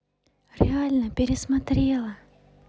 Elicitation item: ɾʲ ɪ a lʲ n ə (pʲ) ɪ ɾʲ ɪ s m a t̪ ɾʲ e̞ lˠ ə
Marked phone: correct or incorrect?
correct